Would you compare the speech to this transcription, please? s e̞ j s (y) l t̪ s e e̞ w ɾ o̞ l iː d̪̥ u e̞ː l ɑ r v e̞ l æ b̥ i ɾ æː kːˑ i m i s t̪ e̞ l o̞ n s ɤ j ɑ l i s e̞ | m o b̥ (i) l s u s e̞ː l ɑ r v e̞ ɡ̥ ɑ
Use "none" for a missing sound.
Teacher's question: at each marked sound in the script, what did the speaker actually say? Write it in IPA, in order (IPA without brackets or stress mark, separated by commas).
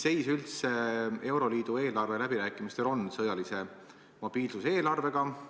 y, iː